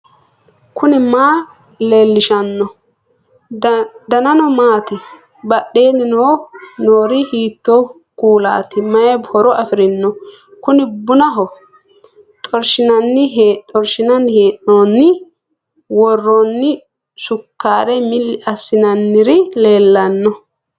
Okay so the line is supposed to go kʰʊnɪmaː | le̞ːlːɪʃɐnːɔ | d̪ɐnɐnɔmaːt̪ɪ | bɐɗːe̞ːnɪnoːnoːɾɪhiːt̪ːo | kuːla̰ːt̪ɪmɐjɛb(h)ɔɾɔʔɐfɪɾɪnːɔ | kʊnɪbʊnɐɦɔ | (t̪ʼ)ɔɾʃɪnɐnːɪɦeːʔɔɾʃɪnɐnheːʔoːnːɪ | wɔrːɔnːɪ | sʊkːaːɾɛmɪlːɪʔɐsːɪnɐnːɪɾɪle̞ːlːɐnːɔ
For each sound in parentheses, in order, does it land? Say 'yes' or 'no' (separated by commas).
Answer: yes, yes